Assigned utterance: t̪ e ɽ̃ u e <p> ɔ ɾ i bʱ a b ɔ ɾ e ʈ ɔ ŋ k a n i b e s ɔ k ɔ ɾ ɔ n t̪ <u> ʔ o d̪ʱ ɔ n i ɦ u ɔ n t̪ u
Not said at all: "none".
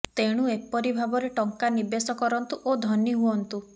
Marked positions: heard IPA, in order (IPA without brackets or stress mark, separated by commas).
p, u